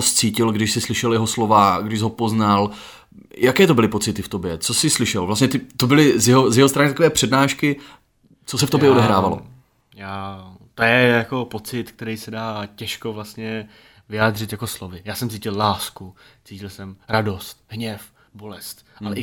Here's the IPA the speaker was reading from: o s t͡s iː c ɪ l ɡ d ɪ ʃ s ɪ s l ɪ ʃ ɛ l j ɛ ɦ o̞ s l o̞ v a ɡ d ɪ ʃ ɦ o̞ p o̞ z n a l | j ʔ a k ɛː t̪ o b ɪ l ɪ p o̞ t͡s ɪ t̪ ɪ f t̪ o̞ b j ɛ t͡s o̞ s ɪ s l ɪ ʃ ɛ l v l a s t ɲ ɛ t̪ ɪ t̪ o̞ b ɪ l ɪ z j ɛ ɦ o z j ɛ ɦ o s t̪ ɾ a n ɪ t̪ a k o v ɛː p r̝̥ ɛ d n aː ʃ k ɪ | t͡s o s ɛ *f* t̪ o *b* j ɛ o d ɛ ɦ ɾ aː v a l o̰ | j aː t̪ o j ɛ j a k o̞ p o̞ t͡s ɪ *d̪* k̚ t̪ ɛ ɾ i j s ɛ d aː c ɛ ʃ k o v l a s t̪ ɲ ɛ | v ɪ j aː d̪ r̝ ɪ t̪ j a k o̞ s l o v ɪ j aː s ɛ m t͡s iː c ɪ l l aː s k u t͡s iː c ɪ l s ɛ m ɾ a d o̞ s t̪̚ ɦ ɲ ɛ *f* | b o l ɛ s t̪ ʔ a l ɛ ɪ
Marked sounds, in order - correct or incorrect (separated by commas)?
correct, correct, incorrect, correct